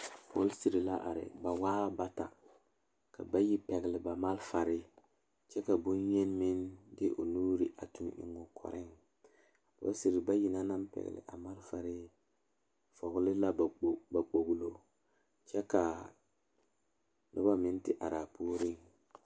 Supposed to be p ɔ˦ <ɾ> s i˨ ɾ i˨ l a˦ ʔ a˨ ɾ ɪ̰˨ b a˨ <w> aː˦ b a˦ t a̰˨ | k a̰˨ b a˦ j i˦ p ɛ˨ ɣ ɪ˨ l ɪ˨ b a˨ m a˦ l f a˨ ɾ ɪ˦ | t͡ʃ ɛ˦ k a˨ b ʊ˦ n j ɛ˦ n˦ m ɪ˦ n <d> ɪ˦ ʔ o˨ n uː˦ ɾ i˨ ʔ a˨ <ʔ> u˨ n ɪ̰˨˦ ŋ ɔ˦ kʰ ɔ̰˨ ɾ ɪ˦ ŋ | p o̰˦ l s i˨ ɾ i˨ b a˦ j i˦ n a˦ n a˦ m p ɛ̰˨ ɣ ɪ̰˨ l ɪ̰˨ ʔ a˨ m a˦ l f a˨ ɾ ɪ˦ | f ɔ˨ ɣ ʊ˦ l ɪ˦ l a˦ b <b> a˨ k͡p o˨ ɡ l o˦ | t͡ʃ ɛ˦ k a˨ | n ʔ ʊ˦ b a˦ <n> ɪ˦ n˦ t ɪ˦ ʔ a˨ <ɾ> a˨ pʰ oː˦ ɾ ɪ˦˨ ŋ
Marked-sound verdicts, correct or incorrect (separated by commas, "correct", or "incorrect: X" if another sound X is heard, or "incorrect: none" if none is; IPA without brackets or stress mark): incorrect: l, correct, correct, incorrect: t, correct, incorrect: m, correct